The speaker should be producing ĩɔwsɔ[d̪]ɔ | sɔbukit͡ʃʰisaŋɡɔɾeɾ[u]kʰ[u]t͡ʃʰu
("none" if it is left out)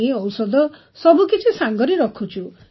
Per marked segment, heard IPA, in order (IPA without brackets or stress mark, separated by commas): d̪, ɔ, u